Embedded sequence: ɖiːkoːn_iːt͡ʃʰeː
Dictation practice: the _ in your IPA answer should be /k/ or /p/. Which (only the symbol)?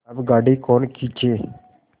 k